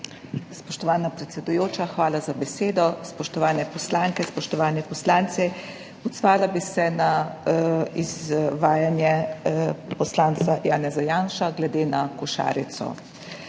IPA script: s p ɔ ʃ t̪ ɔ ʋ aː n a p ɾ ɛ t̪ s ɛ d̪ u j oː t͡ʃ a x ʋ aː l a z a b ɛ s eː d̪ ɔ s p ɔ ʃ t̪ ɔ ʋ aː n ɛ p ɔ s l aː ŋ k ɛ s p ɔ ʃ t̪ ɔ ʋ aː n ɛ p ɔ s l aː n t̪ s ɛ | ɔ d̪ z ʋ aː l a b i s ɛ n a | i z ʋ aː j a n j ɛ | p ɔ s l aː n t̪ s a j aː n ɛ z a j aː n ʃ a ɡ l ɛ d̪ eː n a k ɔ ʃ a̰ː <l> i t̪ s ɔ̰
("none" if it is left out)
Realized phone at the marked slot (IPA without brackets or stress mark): ɾ